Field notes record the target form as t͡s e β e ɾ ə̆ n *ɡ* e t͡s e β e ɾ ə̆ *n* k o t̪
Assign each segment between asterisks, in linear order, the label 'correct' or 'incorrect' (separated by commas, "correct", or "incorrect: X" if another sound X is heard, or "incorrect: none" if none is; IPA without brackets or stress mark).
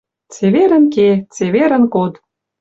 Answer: incorrect: k, correct